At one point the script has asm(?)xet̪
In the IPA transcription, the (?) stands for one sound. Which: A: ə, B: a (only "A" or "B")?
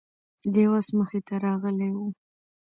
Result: A